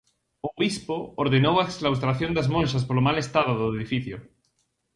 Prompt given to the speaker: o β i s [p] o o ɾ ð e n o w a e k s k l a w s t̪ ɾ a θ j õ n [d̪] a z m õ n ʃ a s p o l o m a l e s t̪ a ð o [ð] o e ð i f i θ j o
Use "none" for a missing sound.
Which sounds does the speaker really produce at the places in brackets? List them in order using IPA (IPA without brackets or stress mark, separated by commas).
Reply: p, d̪, ð